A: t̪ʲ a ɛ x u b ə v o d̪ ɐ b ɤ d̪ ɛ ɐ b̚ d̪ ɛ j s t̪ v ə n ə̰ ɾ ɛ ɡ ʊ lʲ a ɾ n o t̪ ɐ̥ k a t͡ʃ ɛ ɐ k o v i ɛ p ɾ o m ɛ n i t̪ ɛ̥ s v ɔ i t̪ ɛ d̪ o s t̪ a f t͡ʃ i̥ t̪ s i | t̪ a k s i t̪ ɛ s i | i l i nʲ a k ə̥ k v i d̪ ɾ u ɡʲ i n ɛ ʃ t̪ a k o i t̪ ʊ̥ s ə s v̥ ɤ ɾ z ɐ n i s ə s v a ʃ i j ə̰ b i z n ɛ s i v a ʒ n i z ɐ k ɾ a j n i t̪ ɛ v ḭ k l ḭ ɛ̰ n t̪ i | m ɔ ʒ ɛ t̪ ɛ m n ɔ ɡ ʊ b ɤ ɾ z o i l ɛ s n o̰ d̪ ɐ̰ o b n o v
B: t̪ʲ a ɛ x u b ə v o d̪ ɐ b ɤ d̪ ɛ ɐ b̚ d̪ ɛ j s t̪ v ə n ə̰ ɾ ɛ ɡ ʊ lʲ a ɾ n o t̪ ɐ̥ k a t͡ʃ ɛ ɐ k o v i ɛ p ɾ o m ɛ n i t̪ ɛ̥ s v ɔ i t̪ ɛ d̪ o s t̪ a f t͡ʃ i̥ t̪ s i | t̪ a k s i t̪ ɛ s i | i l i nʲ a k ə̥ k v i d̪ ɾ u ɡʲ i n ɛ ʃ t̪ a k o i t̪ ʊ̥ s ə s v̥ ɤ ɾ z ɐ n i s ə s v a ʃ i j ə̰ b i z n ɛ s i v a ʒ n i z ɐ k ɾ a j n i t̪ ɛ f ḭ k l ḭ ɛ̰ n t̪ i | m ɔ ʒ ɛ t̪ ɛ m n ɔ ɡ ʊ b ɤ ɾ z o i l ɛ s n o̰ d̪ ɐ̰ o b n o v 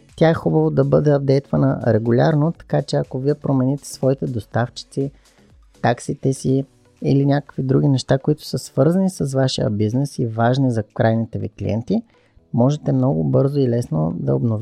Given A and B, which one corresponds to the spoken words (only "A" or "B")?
A